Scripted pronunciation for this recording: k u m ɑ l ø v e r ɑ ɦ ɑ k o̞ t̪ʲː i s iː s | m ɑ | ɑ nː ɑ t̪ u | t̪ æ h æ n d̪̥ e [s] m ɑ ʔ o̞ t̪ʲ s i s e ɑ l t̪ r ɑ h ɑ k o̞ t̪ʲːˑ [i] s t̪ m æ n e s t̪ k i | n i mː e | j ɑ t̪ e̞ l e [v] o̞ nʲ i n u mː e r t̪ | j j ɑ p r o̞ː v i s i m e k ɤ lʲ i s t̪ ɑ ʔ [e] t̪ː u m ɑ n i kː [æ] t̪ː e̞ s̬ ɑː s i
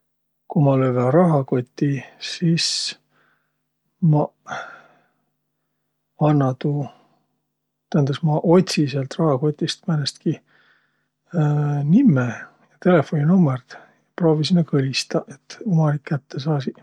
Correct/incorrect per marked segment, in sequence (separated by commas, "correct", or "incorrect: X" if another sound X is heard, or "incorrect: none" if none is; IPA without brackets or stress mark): correct, correct, incorrect: f, correct, correct